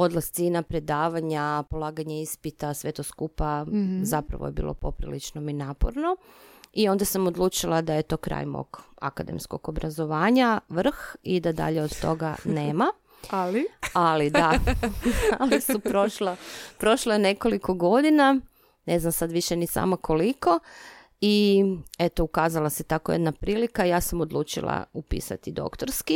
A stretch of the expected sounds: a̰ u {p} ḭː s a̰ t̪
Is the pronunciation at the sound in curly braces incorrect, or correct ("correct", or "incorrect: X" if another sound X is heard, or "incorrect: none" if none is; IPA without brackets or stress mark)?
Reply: correct